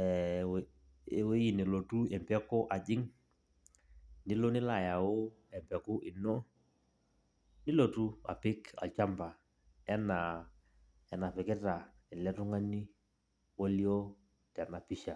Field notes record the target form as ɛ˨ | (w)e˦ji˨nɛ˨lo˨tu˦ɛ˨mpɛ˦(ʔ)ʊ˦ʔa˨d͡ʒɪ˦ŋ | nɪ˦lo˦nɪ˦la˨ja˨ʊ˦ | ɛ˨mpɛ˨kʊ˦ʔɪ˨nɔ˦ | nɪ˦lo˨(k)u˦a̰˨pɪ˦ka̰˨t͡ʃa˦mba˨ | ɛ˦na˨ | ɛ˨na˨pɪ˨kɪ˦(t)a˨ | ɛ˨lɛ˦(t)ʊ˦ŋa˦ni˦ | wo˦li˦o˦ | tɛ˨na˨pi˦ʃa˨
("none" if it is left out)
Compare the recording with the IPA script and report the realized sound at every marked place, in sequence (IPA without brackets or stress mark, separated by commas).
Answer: w, k, t, t, t